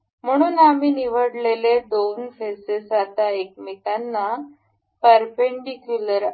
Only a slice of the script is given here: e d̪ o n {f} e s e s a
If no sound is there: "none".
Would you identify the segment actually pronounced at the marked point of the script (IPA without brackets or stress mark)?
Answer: f